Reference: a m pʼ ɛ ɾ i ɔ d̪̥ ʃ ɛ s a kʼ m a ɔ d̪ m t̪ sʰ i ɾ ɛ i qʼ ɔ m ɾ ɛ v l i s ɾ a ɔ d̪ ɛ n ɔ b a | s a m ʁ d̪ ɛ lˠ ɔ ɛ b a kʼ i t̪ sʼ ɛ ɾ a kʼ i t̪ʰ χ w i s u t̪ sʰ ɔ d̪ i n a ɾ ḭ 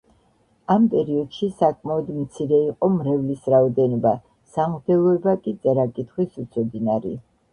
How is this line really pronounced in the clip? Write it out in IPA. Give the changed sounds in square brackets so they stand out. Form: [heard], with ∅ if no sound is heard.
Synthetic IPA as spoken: a m pʼ ɛ ɾ i ɔ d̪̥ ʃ [i] s a kʼ m a ɔ d̪ m t̪ sʰ i ɾ ɛ i qʼ ɔ m ɾ ɛ v l i s ɾ a ɔ d̪ ɛ n ɔ b a | s a m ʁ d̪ ɛ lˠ ɔ ɛ b a kʼ i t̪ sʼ ɛ ɾ a kʼ i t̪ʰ χ w i s u t̪ sʰ ɔ d̪ i n a ɾ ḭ